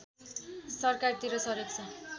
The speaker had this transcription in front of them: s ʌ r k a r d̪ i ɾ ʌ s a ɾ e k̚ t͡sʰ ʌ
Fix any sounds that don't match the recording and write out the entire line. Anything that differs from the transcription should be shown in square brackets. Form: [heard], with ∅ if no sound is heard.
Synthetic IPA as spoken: s ʌ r k a r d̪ i ɾ ʌ s [ʌ] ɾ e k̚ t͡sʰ ʌ